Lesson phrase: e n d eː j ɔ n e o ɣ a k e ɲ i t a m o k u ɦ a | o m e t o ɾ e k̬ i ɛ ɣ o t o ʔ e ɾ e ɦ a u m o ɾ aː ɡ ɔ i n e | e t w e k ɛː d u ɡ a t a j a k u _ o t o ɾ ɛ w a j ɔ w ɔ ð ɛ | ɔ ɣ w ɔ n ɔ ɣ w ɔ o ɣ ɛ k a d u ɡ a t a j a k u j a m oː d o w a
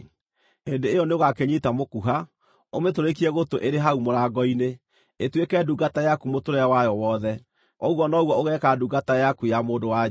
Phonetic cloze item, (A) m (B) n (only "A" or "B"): A